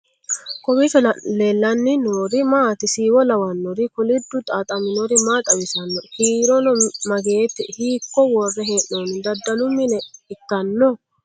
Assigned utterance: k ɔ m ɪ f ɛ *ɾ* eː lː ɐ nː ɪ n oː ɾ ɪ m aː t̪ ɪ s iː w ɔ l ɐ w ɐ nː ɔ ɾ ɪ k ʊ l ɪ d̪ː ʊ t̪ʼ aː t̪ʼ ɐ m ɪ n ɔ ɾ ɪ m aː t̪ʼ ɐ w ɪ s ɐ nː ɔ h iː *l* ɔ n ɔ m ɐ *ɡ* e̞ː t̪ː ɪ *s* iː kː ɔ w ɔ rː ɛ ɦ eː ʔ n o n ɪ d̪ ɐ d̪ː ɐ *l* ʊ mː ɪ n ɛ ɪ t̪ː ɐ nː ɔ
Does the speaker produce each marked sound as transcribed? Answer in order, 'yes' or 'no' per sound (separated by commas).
no, no, yes, no, yes